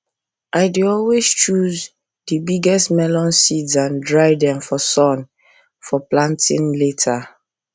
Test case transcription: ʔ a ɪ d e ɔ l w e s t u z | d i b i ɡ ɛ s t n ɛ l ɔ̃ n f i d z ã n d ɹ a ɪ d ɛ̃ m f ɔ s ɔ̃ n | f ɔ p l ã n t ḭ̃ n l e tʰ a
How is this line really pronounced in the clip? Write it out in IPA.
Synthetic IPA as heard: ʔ a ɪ d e ɔ l w e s t͡ʃ u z | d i b i ɡ ɛ s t m ɛ l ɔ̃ n s i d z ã n d ɹ a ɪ d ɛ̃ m f ɔ s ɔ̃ n | f ɔ p l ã n t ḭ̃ n l e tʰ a